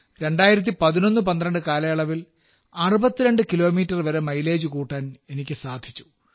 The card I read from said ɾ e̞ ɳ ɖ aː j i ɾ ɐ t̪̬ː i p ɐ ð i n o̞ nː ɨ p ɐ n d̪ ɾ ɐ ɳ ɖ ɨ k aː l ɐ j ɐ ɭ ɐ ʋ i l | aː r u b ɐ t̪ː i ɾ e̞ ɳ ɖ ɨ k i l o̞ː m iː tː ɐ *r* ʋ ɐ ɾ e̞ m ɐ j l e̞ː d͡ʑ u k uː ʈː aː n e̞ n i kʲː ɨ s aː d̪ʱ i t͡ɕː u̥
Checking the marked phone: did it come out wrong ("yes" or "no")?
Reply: no